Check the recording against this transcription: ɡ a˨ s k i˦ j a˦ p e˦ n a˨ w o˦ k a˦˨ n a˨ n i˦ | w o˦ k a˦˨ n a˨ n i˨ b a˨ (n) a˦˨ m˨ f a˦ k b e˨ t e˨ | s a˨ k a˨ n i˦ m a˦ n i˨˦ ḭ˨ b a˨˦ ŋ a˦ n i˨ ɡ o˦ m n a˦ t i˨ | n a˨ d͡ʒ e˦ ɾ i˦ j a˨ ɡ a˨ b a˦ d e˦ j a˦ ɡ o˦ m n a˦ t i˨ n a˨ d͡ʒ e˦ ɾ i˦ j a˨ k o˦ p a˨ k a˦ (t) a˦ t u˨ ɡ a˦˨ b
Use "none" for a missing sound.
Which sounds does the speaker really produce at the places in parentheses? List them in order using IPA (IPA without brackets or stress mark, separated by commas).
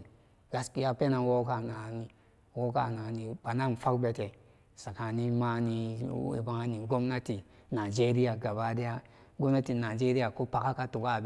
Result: n, k